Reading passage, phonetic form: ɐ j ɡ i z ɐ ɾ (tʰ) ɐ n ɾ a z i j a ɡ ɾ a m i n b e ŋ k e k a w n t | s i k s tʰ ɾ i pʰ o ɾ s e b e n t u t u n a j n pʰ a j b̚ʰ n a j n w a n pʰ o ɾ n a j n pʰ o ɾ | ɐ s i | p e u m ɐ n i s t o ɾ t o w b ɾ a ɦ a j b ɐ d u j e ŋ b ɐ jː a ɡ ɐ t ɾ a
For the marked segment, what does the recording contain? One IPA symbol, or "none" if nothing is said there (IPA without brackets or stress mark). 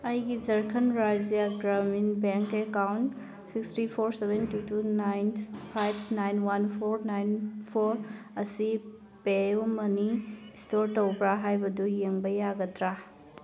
kʰ